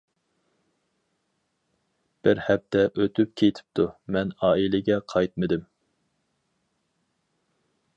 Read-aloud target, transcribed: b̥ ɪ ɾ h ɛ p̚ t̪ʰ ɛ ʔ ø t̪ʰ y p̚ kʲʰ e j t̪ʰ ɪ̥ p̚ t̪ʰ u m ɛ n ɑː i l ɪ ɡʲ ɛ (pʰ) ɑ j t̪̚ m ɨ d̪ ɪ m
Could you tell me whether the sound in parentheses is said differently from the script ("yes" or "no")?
yes